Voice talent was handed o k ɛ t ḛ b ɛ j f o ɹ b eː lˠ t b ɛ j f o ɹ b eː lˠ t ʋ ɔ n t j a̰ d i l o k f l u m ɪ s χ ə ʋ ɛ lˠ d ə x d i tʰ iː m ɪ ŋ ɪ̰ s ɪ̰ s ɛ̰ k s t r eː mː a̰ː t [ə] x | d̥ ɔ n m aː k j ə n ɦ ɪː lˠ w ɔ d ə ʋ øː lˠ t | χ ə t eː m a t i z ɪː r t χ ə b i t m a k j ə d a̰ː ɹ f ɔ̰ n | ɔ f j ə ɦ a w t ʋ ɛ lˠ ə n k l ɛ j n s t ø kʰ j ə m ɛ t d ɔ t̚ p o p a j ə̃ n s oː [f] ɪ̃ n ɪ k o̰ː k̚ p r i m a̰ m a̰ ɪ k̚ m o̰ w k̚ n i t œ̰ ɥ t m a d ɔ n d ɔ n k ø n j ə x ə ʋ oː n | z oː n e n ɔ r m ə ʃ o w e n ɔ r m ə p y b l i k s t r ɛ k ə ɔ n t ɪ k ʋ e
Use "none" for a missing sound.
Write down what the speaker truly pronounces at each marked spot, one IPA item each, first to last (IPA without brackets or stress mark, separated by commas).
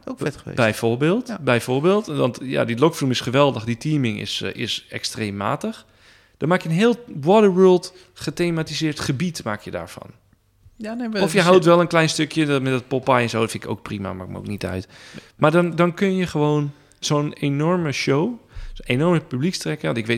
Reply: ə, f